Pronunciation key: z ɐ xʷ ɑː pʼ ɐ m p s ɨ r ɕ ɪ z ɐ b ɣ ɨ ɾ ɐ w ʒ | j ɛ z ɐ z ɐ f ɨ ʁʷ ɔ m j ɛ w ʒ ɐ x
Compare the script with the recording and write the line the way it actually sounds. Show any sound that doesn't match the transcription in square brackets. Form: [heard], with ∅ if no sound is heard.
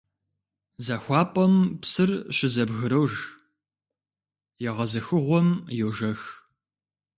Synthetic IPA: z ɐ xʷ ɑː pʼ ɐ m p s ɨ r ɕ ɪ z ɐ b ɣ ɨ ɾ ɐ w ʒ | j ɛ [ʁ] ɐ z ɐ [x] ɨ ʁʷ ɔ m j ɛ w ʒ ɐ x